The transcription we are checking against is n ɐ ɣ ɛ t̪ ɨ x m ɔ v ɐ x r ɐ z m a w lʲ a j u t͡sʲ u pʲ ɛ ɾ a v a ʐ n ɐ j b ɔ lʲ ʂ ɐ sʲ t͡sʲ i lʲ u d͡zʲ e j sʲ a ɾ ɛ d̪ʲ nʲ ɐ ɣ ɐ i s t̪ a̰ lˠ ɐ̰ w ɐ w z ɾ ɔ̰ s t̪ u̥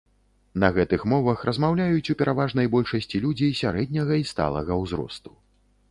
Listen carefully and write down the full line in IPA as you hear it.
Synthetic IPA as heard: n ɐ ɣ ɛ t̪ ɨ x m ɔ v ɐ x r ɐ z m a w lʲ a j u t͡sʲ u pʲ ɛ ɾ a v a ʐ n ɐ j b ɔ lʲ ʂ ɐ sʲ t͡sʲ i lʲ u d͡zʲ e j sʲ a ɾ ɛ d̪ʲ nʲ ɐ ɣ ɐ i s t̪ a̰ lˠ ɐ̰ ɣ ɐ w z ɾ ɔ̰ s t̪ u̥